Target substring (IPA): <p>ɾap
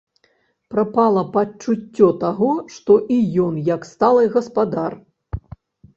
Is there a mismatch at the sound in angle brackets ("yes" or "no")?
no